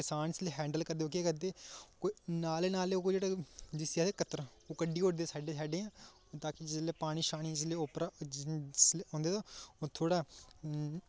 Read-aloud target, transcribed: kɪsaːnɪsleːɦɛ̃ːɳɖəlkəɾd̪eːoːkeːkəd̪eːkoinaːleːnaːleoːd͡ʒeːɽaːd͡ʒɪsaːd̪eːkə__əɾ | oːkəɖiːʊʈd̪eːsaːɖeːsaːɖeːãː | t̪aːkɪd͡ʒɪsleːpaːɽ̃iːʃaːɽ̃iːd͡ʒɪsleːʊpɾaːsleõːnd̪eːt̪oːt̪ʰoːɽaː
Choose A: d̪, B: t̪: B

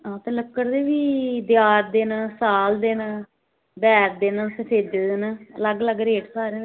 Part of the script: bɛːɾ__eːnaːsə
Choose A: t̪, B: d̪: B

